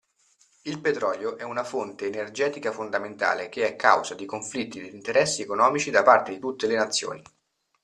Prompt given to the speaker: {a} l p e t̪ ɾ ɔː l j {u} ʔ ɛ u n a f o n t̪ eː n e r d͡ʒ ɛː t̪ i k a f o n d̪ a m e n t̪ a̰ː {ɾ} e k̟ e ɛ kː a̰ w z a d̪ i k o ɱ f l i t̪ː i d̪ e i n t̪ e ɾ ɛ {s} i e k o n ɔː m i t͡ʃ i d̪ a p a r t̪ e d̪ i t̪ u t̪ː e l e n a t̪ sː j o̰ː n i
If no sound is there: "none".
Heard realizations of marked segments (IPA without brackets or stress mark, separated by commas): i, o, l, sː